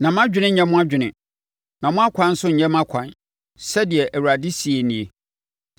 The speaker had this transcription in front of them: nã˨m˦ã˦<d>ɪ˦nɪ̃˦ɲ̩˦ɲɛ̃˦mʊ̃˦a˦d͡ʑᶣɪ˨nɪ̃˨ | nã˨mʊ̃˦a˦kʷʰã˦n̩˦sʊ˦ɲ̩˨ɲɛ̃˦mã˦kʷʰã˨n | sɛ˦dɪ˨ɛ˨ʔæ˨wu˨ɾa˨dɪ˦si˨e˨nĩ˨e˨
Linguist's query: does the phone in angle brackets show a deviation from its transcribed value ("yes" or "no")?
yes